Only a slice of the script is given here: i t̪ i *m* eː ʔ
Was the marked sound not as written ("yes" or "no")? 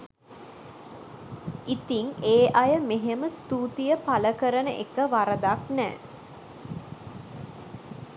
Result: yes